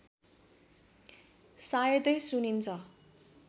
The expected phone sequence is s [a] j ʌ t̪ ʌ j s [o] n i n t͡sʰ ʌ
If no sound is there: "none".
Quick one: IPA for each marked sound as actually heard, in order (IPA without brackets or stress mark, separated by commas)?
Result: a, u